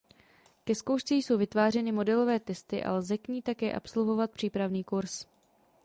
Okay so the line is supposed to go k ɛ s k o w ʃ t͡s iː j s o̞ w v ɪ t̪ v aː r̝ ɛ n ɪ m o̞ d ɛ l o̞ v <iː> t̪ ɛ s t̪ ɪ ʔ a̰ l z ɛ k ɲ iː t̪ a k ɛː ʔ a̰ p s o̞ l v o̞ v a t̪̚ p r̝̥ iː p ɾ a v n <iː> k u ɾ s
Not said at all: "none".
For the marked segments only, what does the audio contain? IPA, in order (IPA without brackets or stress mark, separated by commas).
ɛː, iː